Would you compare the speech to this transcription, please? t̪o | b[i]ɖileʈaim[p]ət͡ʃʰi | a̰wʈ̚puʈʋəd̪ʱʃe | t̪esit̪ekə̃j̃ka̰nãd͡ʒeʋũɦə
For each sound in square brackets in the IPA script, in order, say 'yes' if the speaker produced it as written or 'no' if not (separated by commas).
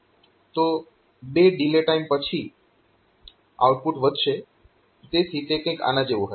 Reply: no, yes